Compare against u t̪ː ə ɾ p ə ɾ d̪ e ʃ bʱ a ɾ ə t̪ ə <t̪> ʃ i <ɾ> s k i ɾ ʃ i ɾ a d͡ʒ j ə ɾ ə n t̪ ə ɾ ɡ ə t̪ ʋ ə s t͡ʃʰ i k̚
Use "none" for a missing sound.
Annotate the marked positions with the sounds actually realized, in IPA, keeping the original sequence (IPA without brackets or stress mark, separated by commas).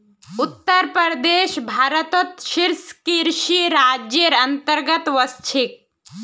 t̪, ɾ